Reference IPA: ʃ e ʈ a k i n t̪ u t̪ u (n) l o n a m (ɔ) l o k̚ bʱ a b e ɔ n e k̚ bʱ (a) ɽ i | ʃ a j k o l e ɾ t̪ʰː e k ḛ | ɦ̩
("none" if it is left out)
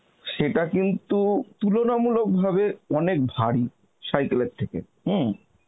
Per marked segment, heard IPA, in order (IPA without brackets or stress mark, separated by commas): none, u, a